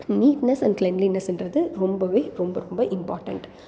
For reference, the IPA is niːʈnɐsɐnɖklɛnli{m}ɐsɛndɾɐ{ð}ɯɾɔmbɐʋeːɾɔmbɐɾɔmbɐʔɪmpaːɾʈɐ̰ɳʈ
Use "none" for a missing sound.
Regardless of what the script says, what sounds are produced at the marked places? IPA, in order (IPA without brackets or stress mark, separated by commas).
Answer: n, ð